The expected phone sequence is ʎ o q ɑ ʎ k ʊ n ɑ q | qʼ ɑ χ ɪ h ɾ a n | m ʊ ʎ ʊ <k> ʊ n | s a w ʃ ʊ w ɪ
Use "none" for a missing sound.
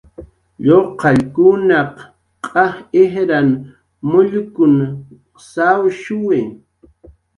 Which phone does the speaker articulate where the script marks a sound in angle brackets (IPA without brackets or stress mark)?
k